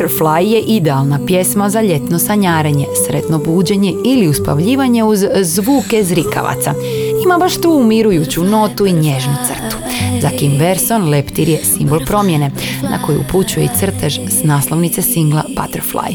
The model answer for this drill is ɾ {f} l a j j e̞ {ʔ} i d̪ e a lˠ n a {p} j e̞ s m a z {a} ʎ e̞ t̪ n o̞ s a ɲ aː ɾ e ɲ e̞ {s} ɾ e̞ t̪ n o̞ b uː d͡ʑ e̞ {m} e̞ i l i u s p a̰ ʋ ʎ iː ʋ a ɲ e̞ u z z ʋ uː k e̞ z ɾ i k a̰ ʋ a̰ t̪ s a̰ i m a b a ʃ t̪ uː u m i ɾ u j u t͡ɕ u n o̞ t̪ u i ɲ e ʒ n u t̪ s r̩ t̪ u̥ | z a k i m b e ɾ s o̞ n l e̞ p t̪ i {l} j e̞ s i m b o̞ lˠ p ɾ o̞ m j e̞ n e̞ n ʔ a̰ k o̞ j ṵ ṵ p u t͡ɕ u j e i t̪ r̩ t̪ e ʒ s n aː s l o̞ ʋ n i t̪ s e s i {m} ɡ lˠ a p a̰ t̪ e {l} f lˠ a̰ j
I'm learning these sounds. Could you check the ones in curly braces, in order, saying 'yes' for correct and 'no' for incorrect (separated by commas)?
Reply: yes, yes, yes, yes, yes, no, no, no, no